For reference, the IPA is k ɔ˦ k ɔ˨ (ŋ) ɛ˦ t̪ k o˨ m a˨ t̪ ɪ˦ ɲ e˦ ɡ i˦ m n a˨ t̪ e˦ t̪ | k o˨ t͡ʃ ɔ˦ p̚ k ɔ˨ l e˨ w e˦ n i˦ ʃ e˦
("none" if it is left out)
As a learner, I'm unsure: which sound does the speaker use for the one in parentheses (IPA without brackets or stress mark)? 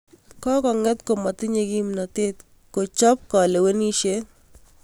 ŋ